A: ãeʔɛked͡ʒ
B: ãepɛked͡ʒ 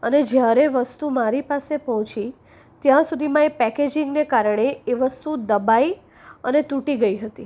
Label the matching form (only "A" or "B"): B